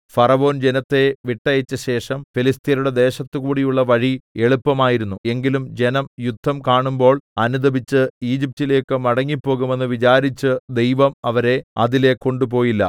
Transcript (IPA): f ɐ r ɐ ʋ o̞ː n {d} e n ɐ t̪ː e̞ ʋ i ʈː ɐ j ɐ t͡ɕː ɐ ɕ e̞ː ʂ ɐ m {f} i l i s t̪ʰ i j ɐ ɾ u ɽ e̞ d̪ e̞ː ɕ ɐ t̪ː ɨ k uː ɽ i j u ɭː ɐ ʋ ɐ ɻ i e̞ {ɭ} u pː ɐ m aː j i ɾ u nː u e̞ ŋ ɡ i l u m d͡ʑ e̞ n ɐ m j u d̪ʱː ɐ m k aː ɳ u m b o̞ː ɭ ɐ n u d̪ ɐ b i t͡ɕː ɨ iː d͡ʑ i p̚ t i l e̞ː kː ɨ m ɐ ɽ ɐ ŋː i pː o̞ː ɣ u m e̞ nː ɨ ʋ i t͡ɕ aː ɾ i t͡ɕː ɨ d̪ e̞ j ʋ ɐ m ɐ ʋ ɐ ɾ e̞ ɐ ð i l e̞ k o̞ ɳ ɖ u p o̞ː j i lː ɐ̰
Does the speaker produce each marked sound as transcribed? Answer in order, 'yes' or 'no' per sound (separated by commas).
no, yes, yes